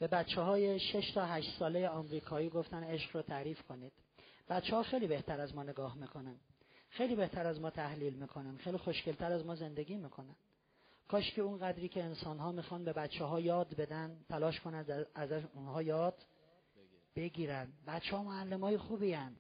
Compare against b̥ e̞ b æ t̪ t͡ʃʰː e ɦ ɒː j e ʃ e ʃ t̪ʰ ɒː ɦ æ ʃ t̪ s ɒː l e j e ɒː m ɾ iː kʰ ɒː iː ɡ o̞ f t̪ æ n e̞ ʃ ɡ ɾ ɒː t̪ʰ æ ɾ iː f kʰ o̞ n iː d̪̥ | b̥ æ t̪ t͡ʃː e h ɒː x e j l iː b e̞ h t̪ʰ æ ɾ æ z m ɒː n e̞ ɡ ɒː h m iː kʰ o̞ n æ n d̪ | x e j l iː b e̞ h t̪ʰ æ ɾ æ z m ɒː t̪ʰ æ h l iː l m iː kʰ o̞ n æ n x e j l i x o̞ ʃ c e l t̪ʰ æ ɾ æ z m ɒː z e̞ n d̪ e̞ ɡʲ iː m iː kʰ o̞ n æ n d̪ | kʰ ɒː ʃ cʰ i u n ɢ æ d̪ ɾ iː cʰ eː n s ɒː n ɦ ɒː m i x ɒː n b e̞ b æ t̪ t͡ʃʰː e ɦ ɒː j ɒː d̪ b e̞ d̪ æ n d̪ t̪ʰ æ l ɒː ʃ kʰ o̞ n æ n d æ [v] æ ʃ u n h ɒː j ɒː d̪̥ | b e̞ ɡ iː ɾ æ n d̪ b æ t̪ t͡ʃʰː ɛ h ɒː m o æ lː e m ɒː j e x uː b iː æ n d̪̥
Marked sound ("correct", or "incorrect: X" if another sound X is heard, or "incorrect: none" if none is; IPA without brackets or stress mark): incorrect: z